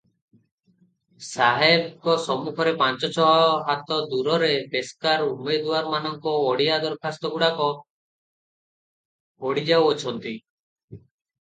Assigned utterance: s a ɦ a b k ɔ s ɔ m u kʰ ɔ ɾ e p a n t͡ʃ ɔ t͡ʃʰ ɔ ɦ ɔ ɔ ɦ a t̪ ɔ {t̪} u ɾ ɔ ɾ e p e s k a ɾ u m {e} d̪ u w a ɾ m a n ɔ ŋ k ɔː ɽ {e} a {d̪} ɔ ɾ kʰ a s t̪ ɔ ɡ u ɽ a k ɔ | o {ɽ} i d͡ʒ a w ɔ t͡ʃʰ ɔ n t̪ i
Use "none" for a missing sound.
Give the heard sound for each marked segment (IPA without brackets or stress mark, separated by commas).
d̪, e, i, d̪, ɽ